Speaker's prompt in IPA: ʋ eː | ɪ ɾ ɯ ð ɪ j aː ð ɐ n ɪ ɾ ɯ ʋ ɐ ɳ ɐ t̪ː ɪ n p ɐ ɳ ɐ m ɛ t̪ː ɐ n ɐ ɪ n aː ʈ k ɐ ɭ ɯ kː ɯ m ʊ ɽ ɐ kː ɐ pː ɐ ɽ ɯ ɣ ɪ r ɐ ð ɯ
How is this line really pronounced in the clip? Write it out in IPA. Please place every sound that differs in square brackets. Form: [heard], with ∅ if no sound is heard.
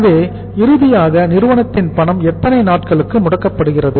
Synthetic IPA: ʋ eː | ɪ ɾ ɯ ð ɪ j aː [ɣ] ɐ n ɪ ɾ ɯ ʋ ɐ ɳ ɐ t̪ː ɪ n p ɐ ɳ ɐ m ɛ t̪ː ɐ n ɐ ɪ n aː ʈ k ɐ ɭ ɯ kː ɯ m ʊ ɽ ɐ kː ɐ pː ɐ ɽ ɯ ɣ ɪ r ɐ ð ɯ